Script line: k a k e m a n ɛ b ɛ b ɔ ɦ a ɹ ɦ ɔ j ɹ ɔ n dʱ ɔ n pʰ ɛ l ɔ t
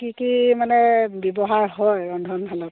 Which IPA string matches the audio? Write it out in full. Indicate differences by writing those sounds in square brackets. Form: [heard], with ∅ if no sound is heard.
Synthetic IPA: k [i] k [i] m a n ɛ b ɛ b ɔ ɦ a ɹ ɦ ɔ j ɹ ɔ n dʱ ɔ n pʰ [a] l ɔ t